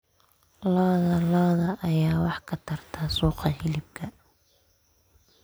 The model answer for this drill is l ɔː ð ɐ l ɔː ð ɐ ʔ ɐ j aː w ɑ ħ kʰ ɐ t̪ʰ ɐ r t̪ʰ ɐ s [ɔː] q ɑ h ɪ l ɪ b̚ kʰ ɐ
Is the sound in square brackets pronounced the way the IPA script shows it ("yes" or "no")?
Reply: no